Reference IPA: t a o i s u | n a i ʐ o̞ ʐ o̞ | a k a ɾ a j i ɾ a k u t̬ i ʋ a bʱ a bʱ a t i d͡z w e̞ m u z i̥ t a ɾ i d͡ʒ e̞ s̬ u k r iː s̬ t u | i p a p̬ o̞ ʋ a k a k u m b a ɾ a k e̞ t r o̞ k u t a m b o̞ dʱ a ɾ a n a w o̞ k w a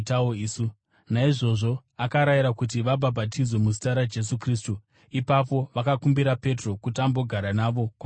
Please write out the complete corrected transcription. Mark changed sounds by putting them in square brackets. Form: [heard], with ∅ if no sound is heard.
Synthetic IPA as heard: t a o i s u | n a i ʐ o̞ ʐ o̞ | a k a ɾ a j i ɾ a k u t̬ i ʋ a bʱ a bʱ a t i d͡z w e̞ m u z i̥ t a ɾ [a] d͡ʒ e̞ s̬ u k r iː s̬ t u | i p a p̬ o̞ ʋ a k a k u m b [i] ɾ a [p] e̞ t r o̞ k u t a m b o̞ [ɡʱ] a ɾ a n a [ʋ] o̞ k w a